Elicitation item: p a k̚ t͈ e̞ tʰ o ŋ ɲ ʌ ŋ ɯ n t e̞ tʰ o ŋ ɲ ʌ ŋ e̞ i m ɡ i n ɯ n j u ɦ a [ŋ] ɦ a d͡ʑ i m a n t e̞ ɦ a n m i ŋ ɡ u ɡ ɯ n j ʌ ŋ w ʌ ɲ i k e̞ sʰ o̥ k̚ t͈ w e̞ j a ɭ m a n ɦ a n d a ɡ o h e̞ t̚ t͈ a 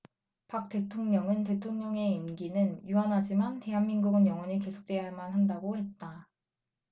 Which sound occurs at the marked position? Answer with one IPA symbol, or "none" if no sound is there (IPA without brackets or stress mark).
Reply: n